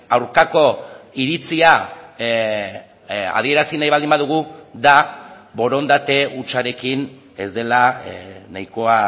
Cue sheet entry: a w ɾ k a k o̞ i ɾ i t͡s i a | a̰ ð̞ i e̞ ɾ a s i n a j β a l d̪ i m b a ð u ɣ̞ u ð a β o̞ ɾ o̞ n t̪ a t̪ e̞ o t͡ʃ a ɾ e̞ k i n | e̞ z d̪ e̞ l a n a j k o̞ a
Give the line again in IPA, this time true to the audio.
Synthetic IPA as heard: a w ɾ k a k o̞ i ɾ i t͡s i a | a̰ ð̞ i e̞ ɾ a s i n a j β a l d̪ i m b a ð u ɣ̞ u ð a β o̞ ɾ o̞ n d̪ a t̪ e̞ u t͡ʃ a ɾ e̞ k i n | e̞ z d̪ e̞ l a n a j k o̞ a